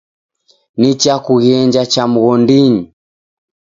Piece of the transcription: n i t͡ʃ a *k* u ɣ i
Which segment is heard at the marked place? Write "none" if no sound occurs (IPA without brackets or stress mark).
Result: k